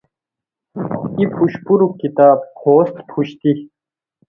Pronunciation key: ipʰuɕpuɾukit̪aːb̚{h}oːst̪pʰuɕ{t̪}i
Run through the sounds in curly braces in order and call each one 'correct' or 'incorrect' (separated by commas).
correct, correct